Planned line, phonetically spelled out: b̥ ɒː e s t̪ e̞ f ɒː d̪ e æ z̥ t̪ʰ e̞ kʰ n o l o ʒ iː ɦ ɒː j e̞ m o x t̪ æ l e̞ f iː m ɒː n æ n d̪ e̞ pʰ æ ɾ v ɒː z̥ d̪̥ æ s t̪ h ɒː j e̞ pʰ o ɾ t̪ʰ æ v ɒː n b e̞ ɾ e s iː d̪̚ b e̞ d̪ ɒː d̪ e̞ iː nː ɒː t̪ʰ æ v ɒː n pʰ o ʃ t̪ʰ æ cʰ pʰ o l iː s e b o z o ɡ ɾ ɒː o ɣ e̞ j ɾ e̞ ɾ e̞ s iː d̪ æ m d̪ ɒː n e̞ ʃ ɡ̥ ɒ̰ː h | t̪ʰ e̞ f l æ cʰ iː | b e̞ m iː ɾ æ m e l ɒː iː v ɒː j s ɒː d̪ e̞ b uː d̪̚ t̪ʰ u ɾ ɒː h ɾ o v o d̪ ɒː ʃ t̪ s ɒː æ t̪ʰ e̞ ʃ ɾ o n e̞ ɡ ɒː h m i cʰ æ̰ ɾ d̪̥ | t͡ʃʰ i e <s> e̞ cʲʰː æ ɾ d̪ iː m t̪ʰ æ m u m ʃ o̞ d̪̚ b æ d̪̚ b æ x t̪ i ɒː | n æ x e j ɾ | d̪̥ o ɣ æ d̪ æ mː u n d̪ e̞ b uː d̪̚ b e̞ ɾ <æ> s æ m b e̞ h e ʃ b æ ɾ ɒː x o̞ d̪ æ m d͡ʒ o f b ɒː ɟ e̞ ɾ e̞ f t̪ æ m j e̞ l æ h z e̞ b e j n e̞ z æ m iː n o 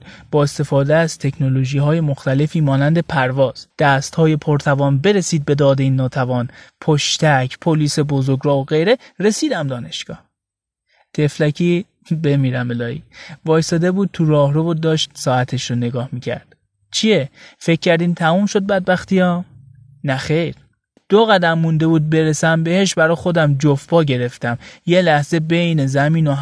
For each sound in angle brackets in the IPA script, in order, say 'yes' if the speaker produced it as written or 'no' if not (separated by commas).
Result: no, no